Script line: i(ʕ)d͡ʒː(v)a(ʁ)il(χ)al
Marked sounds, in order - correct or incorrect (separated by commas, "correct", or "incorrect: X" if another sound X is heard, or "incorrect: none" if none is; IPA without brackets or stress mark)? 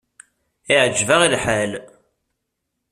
correct, correct, correct, incorrect: ħ